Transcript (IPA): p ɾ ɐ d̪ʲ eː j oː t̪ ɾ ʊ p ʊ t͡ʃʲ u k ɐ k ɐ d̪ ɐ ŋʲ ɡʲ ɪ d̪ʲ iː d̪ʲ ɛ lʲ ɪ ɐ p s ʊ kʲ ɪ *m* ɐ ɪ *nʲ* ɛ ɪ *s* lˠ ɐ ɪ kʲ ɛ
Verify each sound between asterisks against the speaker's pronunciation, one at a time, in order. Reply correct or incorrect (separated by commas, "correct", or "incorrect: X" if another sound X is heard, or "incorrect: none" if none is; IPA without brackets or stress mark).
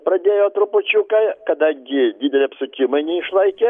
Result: correct, correct, incorrect: ʃ